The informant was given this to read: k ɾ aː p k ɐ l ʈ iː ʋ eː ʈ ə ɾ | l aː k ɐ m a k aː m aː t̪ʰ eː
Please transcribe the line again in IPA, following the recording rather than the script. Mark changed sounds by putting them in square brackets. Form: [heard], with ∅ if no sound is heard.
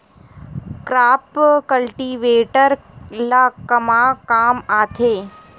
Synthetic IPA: k ɾ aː p k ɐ l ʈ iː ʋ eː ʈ ə ɾ | l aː k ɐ m a k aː m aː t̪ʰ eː